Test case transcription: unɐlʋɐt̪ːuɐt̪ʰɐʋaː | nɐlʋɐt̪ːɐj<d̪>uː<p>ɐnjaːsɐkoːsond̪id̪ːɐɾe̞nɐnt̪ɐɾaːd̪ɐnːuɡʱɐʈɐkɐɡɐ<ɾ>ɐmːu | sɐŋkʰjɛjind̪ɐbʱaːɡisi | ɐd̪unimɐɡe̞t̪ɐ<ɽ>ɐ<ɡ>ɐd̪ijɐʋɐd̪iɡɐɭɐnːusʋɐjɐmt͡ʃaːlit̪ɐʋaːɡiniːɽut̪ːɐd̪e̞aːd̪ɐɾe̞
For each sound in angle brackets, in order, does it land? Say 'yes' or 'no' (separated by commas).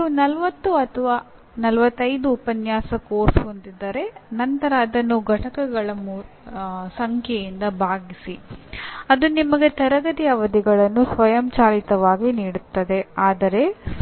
yes, yes, no, no, yes